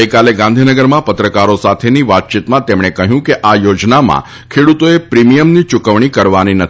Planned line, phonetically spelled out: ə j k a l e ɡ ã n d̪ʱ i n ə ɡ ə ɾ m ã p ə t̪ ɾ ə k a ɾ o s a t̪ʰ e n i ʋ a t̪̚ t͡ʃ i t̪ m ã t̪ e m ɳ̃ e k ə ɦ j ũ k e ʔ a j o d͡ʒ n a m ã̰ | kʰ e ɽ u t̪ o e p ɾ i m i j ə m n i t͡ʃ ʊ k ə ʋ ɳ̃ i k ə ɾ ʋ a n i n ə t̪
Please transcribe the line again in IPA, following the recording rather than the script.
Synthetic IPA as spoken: ə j k a l e ɡ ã n d̪ʱ i n ə ɡ ə ɾ m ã p ə t̪ ɾ ə k a ɾ o s a t̪ʰ e n i ʋ a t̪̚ t͡ʃ i t̪ m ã t̪ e m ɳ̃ e k ə ɦ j ũ k e ʔ a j o d͡ʒ n a m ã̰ | kʰ e ɽ u t̪ o e p ɾ i m i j ə m n i t͡ʃ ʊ k ə ʋ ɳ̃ i k ə ɾ ʋ a n i n ə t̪